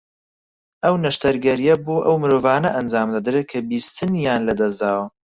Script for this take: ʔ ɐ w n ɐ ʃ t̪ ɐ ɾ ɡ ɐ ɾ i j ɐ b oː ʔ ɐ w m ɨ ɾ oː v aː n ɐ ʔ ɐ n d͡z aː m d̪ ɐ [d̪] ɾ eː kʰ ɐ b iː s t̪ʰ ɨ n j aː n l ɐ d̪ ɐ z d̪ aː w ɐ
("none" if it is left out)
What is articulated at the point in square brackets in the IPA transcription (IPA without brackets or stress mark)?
d̪